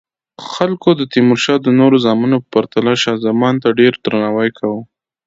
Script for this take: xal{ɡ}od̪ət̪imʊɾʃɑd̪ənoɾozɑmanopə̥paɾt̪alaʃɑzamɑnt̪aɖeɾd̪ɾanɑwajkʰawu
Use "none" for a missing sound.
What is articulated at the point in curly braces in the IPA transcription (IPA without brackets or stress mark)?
k